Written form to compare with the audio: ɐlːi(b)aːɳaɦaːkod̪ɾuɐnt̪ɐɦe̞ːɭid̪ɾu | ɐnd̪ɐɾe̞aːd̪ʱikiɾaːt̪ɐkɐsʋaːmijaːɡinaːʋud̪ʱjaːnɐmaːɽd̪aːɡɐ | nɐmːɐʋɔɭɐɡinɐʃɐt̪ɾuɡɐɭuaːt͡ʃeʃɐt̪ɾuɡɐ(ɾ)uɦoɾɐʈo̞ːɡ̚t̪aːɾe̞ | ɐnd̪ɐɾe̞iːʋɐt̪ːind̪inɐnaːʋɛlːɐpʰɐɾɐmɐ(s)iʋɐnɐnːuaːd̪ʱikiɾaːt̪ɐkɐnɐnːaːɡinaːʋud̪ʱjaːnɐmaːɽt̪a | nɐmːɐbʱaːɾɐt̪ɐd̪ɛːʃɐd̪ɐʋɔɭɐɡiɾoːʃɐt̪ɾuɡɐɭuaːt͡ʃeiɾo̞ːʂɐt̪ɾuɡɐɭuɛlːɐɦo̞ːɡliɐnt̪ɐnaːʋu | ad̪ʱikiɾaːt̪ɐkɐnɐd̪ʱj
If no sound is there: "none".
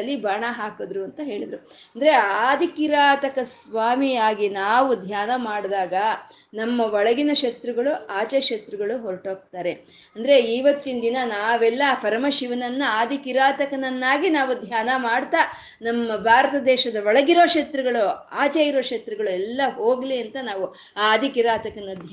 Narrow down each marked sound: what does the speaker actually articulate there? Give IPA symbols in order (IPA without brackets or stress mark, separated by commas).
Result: b, ɭ, ʃ